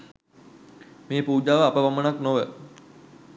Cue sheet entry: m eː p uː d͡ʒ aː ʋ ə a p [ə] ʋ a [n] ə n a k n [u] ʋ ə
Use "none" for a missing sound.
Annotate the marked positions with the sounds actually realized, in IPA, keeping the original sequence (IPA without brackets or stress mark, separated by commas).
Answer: ə, m, o